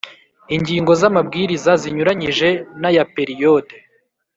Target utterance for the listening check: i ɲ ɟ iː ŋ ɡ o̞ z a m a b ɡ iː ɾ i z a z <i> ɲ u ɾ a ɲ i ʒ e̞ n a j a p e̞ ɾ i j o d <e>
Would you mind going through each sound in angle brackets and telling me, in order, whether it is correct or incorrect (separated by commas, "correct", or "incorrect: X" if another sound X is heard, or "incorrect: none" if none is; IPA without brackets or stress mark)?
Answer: correct, correct